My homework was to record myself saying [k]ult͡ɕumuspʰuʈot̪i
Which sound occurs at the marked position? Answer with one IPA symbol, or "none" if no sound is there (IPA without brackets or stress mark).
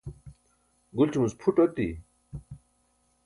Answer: ɡ